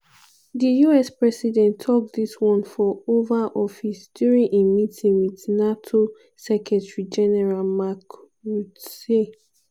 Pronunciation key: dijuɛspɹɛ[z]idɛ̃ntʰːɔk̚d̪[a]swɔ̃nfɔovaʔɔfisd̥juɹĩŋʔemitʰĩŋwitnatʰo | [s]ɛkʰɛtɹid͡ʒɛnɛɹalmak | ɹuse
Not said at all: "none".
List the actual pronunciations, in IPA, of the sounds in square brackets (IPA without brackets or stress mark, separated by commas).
s, i, s